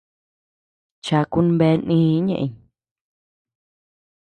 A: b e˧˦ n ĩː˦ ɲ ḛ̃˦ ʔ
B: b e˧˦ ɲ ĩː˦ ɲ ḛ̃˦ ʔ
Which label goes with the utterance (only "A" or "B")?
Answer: A